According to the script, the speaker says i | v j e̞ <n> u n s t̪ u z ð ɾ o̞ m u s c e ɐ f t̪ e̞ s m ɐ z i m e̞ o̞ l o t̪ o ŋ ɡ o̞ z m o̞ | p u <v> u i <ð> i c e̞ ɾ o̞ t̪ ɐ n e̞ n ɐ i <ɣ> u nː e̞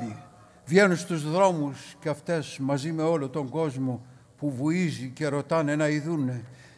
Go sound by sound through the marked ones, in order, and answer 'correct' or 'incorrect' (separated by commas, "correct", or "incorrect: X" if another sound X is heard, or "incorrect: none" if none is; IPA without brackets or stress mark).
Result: correct, correct, incorrect: z, incorrect: ð